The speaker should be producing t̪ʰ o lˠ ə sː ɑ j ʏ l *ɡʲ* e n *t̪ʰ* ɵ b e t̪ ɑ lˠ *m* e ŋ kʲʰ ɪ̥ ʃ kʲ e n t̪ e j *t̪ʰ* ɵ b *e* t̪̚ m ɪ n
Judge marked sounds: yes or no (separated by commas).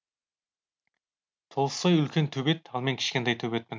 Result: no, yes, yes, yes, yes